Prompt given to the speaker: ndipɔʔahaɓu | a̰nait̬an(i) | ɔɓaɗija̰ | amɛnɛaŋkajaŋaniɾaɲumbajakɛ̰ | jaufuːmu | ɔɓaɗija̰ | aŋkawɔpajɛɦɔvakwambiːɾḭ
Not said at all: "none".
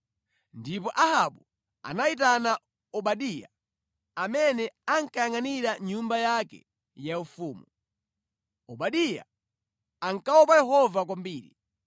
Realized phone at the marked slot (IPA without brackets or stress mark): a